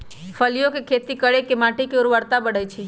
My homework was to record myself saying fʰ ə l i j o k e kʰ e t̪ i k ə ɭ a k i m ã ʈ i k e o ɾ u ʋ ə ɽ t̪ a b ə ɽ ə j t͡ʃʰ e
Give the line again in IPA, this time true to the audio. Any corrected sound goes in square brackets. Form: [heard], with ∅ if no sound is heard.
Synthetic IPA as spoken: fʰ ə l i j o k e kʰ e t̪ i k ə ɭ [e] k [e] m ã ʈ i k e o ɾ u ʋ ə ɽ t̪ a b ə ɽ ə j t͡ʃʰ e